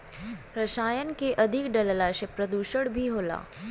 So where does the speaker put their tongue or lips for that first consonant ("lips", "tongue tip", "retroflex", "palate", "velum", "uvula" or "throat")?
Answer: tongue tip